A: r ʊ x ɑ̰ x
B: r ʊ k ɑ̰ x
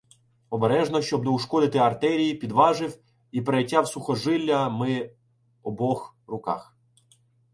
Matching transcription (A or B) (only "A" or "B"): B